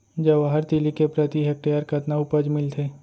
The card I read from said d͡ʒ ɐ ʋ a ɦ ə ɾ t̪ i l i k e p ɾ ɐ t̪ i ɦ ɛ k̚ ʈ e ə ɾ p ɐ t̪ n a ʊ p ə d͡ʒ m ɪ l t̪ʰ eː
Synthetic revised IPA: d͡ʒ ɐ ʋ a ɦ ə ɾ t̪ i l i k e p ɾ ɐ t̪ i ɦ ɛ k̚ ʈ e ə ɾ k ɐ t̪ n a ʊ p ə d͡ʒ m ɪ l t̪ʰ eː